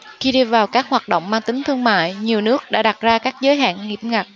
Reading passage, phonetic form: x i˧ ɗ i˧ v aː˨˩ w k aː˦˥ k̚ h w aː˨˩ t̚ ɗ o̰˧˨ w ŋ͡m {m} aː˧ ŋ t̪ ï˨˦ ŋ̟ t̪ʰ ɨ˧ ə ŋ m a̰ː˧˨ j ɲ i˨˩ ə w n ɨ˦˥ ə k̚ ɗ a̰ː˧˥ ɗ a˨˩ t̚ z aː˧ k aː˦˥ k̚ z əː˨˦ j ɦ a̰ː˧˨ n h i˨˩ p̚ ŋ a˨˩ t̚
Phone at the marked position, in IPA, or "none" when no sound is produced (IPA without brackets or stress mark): m